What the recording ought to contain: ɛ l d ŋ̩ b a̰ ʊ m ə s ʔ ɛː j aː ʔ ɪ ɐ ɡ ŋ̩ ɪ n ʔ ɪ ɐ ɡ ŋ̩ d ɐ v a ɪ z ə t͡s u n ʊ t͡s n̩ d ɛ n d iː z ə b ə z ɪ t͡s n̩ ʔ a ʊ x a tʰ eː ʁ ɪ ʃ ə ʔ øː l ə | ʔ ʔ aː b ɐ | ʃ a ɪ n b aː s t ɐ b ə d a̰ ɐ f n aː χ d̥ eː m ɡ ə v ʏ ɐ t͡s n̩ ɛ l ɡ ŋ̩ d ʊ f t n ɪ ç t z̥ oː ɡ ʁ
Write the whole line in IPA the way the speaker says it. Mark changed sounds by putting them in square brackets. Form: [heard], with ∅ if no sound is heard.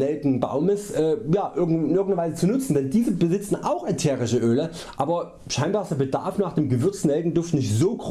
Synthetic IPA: ɛ l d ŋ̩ b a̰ ʊ m ə s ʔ ɛː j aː ʔ ɪ ɐ ɡ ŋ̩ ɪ n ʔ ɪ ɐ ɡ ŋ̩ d ɐ v a ɪ z ə t͡s u n ʊ t͡s n̩ d ɛ n d iː z ə b ə z ɪ t͡s n̩ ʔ a ʊ x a tʰ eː ʁ ɪ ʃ ə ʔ øː l ə | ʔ ʔ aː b ɐ | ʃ a ɪ n b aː s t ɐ b ə d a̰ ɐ f n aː χ d̥ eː m ɡ ə v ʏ ɐ t͡s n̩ ɛ l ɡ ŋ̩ d ʊ f t n ɪ ç t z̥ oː ɡ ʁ